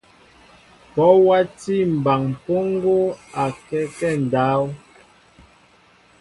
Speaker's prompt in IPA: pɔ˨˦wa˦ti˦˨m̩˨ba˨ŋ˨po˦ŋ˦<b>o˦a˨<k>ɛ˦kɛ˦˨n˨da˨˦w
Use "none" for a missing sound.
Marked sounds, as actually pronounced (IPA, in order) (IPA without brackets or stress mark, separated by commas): ɡ, k